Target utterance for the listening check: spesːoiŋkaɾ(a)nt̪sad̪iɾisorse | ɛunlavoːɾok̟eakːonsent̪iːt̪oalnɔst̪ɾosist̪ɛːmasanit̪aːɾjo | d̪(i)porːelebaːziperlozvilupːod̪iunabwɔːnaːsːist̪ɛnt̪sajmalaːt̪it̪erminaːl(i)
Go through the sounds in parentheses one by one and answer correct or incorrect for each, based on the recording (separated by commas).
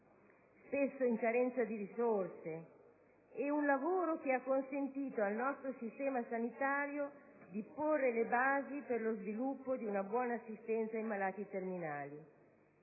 incorrect, correct, correct